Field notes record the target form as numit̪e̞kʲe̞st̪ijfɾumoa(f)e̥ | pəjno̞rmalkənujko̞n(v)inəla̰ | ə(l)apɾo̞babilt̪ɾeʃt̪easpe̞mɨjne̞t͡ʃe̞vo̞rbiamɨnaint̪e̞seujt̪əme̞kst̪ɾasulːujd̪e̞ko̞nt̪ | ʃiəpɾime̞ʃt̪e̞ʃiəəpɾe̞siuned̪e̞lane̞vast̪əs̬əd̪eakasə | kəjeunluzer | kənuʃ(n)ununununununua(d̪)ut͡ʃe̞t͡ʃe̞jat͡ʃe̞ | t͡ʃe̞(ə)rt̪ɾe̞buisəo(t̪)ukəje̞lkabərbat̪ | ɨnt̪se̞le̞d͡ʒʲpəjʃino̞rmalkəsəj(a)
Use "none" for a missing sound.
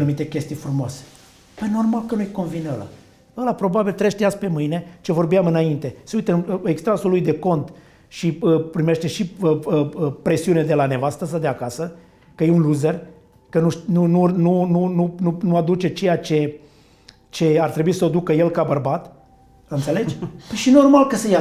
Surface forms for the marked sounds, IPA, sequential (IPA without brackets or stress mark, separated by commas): s, v, l, n, d̪, a, d̪, a